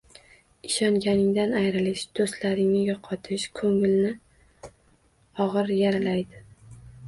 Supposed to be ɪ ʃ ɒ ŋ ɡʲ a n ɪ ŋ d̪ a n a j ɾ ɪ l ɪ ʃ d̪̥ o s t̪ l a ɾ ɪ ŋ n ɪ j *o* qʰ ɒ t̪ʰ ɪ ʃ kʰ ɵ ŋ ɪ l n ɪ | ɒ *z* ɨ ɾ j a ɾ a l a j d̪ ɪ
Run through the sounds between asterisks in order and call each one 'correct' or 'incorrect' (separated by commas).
incorrect, incorrect